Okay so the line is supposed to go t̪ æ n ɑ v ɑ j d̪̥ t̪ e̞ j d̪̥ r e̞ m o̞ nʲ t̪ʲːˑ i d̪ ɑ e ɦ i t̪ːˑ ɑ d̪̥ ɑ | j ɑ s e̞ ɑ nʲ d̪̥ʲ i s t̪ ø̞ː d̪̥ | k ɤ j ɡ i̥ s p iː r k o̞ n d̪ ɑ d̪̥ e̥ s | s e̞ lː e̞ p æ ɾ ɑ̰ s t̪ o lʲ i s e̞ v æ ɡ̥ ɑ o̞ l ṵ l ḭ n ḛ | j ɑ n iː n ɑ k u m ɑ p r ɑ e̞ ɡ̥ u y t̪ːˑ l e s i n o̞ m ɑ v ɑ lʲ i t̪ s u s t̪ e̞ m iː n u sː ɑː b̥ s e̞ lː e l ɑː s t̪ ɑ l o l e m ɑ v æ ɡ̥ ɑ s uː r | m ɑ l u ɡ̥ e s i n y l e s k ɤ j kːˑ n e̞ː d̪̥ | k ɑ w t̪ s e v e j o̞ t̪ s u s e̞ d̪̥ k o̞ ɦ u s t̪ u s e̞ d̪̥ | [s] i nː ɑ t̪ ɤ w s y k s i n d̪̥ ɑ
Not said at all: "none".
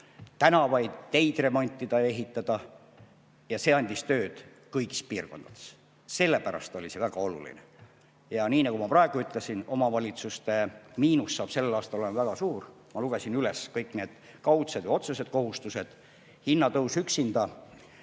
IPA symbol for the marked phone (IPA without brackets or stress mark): h